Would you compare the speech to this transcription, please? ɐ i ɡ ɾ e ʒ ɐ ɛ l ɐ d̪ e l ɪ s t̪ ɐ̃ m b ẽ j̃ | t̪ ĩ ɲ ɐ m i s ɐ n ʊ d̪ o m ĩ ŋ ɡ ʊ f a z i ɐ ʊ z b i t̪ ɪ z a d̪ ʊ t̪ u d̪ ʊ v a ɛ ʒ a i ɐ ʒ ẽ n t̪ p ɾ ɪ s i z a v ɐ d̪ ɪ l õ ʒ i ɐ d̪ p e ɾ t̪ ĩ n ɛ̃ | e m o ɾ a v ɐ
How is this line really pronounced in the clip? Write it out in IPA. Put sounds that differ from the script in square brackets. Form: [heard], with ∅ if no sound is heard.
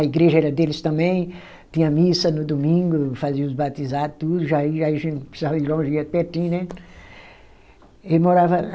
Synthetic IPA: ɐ i ɡ ɾ e ʒ ɐ ɛ [ɾ] ɐ d̪ e l ɪ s t̪ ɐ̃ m b ẽ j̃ | t̪ ĩ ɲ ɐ m i s ɐ n ʊ d̪ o m ĩ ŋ ɡ ʊ f a z i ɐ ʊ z b [a] t̪ [i] z a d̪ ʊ t̪ u d̪ ʊ [ʒ] a [i] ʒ a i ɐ ʒ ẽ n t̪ p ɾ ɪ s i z a v ɐ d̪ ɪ l õ ʒ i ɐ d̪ p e ɾ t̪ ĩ n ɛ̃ | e m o ɾ a v ɐ